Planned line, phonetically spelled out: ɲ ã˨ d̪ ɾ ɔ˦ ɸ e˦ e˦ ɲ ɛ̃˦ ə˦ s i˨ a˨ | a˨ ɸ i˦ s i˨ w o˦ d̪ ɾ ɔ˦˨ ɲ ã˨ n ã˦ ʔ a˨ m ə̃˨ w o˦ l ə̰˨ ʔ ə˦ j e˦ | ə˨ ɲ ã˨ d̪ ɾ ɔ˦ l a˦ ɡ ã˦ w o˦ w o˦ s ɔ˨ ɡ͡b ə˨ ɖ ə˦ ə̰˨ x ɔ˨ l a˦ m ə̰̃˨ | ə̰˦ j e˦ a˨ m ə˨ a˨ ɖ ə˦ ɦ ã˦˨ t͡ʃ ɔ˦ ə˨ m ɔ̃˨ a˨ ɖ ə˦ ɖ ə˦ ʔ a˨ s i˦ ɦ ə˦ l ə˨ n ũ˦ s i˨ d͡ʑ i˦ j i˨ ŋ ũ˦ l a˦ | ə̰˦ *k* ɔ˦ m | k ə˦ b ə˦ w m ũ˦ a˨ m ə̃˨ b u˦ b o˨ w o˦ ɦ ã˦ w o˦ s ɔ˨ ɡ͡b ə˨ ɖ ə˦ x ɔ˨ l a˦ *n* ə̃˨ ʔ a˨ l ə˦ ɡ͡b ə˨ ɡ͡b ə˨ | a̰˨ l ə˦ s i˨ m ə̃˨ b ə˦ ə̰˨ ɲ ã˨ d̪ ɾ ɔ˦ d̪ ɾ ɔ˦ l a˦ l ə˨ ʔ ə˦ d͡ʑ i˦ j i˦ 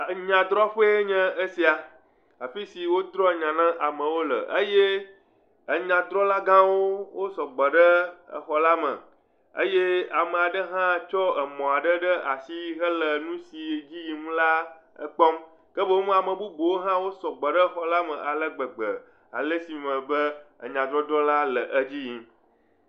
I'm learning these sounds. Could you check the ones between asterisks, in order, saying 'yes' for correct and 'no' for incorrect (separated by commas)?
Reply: no, no